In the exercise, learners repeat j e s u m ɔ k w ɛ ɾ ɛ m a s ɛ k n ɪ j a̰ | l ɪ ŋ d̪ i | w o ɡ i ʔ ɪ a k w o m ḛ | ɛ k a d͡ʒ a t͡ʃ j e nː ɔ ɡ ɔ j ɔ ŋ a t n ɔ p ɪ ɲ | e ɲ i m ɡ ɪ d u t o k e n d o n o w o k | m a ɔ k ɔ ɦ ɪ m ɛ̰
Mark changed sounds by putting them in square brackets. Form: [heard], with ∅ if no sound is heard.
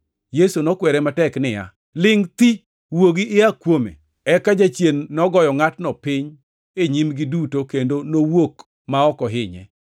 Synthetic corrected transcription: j e s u [n] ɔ k w ɛ ɾ ɛ m a [t] ɛ k n ɪ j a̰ | l ɪ ŋ [t̪] i | w o ɡ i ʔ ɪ a k w o m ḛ | ɛ k a d͡ʒ a t͡ʃ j e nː ɔ ɡ ɔ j ɔ ŋ a t n ɔ p ɪ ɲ | e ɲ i m ɡ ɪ d u t o k e n d o n o w o k | m a ɔ k ɔ ɦ ɪ [ɲ] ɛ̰